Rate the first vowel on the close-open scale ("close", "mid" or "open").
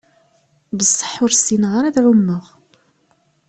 mid